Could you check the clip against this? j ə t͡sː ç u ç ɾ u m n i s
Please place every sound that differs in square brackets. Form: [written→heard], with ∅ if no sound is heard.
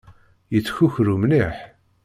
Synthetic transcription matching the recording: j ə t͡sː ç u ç ɾ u m n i [s→ħ]